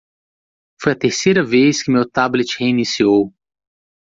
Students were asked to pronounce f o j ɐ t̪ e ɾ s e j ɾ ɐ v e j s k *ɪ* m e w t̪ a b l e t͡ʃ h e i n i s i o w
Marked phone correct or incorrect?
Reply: correct